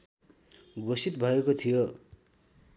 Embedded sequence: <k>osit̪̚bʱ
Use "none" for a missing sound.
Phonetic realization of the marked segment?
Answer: ɡ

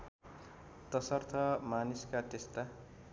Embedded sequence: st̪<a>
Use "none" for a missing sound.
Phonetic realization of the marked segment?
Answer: a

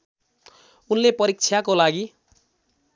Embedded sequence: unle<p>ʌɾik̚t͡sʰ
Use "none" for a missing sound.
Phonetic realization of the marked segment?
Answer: p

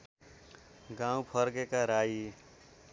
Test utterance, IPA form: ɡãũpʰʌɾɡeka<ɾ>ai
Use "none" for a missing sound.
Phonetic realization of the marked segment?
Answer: ɾ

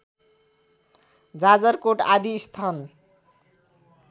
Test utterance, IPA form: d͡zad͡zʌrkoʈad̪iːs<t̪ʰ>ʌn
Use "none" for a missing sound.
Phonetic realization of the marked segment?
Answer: t̪ʰ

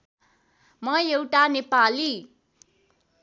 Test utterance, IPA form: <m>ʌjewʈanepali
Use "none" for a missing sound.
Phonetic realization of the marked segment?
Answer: m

